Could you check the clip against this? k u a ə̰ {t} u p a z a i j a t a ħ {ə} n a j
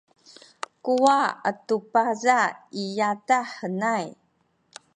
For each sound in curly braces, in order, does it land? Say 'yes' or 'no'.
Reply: yes, yes

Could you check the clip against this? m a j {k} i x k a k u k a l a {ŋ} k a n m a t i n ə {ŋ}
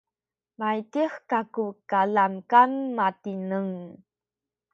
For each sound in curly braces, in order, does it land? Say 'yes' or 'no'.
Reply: no, no, yes

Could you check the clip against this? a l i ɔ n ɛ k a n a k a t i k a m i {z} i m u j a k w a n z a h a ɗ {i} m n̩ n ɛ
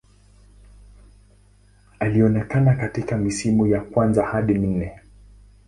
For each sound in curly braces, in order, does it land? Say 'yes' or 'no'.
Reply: no, yes

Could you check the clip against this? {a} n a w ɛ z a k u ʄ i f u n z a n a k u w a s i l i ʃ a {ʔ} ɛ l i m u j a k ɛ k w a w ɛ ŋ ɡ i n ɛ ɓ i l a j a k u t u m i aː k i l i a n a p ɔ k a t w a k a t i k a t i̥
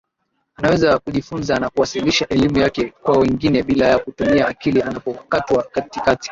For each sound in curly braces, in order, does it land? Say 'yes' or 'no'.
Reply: yes, yes

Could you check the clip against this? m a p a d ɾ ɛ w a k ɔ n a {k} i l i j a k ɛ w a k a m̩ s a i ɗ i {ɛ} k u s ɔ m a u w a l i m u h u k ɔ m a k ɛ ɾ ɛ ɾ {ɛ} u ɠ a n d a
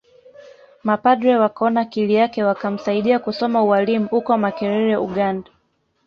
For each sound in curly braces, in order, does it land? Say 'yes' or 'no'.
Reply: yes, no, yes

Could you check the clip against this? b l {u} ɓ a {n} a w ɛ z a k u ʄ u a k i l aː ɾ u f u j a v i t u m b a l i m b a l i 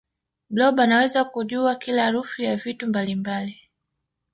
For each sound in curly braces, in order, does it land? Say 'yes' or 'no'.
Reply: no, yes

